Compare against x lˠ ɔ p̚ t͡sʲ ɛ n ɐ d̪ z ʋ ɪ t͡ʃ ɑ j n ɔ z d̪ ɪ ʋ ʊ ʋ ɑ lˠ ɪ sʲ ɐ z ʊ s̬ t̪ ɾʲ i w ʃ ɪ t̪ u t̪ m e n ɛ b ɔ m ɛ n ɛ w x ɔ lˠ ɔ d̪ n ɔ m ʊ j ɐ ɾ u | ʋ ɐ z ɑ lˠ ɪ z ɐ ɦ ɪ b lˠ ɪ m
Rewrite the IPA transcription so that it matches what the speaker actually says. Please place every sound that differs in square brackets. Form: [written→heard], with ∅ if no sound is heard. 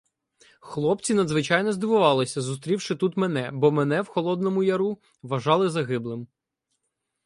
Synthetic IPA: x lˠ ɔ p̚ t͡sʲ [ɛ→i] n ɐ d̪ z ʋ ɪ t͡ʃ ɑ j n ɔ z d̪ ɪ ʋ ʊ ʋ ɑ lˠ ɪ sʲ ɐ z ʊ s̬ t̪ ɾʲ i w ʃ ɪ t̪ u t̪ m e n ɛ b ɔ m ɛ n ɛ w x ɔ lˠ ɔ d̪ n ɔ m ʊ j ɐ ɾ u | ʋ ɐ [z→ʒ] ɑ lˠ ɪ z ɐ ɦ ɪ b lˠ ɪ m